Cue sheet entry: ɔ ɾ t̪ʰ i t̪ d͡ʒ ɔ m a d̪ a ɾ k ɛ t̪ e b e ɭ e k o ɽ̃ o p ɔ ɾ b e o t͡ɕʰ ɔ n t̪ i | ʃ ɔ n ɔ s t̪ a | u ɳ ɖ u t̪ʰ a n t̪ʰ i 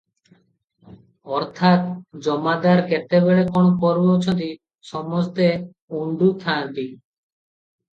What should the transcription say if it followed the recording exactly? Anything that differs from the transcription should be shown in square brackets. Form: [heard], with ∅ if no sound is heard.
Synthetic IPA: ɔ ɾ t̪ʰ [a] t̪ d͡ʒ ɔ m a d̪ a ɾ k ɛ t̪ e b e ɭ e k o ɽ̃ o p ɔ ɾ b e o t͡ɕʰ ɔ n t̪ i | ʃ ɔ [m] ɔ s t̪ [e] | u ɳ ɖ u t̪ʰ a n [t̪] i

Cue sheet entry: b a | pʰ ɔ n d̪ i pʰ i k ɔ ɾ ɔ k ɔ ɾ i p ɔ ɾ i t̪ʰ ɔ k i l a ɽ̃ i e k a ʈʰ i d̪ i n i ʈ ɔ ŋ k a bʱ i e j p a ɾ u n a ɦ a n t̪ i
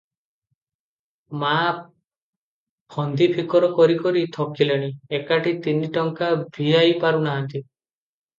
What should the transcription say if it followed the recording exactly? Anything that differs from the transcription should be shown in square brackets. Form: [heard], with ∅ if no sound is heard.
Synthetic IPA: [m] a | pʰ ɔ n d̪ i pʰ i k ɔ ɾ ɔ k ɔ ɾ i [k] ɔ ɾ i t̪ʰ ɔ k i l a ɽ̃ i e k a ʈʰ i [t̪] i n i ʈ ɔ ŋ k a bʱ i [a] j p a ɾ u n a ɦ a n t̪ i

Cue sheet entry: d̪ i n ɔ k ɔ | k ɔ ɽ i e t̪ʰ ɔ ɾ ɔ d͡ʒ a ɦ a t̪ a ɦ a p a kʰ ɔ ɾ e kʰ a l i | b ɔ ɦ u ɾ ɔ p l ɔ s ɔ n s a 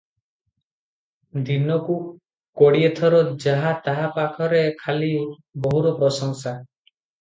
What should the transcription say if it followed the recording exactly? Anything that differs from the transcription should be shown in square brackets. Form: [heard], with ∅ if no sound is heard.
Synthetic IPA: d̪ i n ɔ k [u] | k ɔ ɽ i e t̪ʰ ɔ ɾ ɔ d͡ʒ a ɦ a t̪ a ɦ a p a kʰ ɔ ɾ e kʰ a l i | b ɔ ɦ u ɾ ɔ p [ɾ] ɔ s ɔ [ŋ] s a

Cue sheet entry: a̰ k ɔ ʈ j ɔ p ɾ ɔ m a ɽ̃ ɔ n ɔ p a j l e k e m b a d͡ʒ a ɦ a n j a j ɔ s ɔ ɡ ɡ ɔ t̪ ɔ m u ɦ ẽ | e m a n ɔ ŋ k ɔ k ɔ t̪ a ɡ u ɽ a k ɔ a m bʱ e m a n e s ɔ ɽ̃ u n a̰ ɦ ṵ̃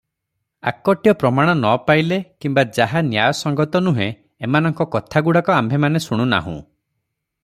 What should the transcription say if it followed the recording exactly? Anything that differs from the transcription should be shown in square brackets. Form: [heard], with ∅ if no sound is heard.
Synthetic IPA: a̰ k ɔ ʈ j ɔ p ɾ ɔ m a ɽ̃ ɔ n ɔ p a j l e k [i] m b a d͡ʒ a ɦ a n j a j ɔ s ɔ [ŋ] ɡ ɔ t̪ ɔ [n] u ɦ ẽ | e m a n ɔ ŋ k ɔ k ɔ [t̪ʰ] a ɡ u ɽ a k ɔ a m bʱ e m a n e s [u] ɽ̃ u n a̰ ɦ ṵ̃

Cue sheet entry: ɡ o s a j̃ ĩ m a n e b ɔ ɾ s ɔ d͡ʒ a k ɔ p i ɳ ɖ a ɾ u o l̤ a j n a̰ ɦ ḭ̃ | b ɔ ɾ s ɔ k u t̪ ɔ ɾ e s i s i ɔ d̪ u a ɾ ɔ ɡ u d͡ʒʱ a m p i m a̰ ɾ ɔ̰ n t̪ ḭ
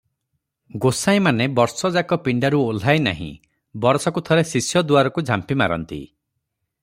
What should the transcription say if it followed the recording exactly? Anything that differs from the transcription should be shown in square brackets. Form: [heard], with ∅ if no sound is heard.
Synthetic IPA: ɡ o s a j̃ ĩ m a n e b ɔ ɾ s ɔ d͡ʒ a k ɔ p i ɳ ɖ a ɾ u o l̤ a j n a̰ ɦ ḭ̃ | b ɔ ɾ s ɔ k u [t̪ʰ] ɔ ɾ e s i s [j] ɔ d̪ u a ɾ ɔ [k] u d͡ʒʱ a m p i m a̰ ɾ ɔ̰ n t̪ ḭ

